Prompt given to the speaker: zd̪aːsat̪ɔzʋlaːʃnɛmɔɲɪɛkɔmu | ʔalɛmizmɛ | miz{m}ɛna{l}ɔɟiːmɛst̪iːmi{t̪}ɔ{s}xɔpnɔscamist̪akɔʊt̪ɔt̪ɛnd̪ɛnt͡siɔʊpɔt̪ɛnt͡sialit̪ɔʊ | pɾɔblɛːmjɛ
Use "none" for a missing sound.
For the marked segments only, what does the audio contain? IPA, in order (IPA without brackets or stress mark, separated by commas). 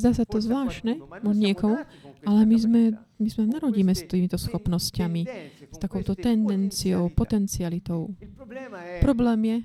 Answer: m, ɾ, t̪, s